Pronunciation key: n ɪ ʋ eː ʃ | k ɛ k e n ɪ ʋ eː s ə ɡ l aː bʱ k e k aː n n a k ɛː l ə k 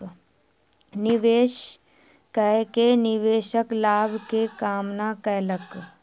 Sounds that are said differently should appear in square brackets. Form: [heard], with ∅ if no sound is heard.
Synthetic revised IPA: n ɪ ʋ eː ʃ | k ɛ k e n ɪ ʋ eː [ʃ] ə [k] l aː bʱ k e k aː [m] n a k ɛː l ə k